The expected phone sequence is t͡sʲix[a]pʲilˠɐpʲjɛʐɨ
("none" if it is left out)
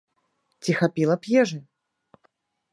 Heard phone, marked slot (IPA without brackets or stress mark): a